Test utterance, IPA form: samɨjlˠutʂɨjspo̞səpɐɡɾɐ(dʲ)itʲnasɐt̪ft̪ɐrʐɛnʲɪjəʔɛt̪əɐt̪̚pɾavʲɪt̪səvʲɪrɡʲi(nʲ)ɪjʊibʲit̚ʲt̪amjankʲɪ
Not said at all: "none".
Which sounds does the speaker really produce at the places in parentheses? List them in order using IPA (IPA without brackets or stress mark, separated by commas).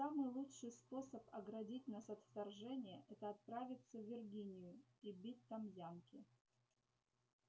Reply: dʲ, nʲ